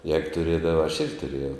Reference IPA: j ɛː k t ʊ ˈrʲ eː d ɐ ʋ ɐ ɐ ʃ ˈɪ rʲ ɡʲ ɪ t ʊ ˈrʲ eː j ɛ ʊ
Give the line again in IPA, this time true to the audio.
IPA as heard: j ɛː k t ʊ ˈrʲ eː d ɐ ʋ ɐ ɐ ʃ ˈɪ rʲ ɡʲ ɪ t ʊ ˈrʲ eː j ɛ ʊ